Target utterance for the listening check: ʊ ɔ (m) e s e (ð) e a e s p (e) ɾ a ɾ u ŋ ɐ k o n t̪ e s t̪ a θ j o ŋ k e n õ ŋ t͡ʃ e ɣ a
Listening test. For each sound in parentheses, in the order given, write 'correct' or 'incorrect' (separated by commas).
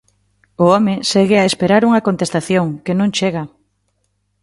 correct, incorrect, correct